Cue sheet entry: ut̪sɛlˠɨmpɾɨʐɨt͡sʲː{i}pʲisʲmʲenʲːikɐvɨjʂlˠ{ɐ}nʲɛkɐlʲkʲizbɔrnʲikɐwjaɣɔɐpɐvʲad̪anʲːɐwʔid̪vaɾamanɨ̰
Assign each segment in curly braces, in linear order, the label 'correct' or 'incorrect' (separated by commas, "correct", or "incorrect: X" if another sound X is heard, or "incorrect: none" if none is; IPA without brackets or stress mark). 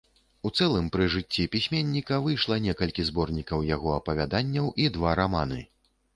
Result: correct, correct